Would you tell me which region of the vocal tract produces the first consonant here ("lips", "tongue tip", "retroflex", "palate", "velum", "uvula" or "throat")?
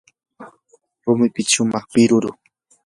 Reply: tongue tip